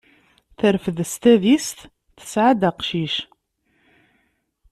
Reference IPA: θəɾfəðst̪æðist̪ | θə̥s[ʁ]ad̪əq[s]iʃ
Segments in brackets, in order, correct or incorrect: incorrect, incorrect

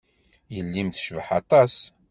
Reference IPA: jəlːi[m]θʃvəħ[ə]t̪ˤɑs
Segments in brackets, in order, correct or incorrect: correct, incorrect

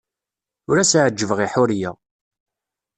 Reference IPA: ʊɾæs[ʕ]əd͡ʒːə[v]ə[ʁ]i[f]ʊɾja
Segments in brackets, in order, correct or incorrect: correct, correct, correct, incorrect

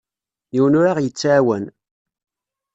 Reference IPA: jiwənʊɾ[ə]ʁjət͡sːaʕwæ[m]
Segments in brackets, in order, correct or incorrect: incorrect, incorrect

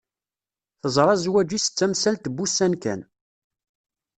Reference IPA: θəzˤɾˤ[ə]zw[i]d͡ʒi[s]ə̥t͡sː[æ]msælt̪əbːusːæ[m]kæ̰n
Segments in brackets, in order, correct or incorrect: incorrect, incorrect, correct, correct, incorrect

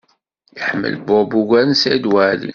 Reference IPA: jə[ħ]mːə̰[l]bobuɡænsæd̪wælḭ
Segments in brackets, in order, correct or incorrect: correct, correct

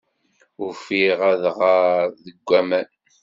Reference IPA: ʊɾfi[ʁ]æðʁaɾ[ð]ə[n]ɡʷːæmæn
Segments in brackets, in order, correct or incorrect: correct, correct, incorrect

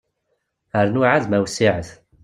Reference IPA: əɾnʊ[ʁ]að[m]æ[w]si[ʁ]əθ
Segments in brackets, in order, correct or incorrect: incorrect, correct, correct, incorrect

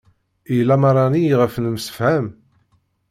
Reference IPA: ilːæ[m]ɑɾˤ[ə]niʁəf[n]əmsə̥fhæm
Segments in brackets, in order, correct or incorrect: correct, incorrect, correct

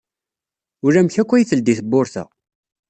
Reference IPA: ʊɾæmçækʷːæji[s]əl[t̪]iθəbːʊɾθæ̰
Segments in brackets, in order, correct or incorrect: incorrect, incorrect

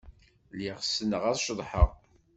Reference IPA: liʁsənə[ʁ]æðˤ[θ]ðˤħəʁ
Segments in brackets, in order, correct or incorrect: correct, incorrect

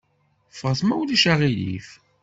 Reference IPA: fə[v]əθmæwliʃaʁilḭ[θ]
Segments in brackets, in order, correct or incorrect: incorrect, incorrect

